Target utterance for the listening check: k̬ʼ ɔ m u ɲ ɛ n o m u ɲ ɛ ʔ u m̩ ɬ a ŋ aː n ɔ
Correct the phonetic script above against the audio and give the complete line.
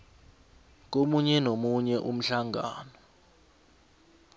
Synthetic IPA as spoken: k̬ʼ o m u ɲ ɛ n o m u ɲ ɛ ʔ u m̩ ɬ a ŋ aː n ɔ